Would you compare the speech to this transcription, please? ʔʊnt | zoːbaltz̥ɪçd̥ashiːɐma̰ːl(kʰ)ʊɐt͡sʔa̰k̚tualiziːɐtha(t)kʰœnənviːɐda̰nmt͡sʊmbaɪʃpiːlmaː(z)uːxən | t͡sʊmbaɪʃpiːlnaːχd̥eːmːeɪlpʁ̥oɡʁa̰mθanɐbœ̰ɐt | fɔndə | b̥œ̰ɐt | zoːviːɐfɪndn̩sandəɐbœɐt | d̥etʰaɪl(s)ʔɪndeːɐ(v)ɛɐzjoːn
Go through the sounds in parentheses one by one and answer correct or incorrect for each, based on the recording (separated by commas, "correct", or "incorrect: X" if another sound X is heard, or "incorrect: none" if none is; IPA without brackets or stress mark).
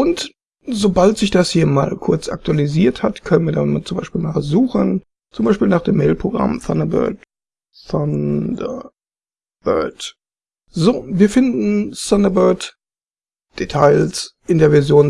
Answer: correct, correct, correct, correct, correct